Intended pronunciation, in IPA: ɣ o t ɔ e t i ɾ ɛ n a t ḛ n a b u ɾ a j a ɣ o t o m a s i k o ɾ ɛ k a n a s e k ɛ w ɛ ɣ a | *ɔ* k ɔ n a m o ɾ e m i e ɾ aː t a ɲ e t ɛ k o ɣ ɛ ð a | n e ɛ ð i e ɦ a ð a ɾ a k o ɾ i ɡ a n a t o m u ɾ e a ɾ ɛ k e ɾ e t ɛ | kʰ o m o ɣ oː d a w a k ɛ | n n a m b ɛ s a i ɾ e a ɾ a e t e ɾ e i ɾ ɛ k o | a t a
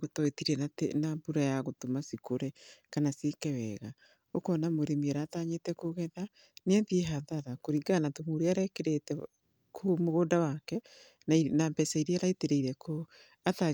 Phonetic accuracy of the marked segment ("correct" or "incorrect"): incorrect